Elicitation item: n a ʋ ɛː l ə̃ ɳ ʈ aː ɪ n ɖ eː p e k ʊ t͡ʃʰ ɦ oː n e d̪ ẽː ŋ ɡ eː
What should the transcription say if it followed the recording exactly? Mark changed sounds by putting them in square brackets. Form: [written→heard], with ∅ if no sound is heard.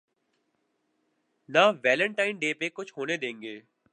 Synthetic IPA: n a ʋ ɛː l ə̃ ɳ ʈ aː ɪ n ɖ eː p e k ʊ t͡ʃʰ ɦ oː n e d̪ ẽː ŋ ɡ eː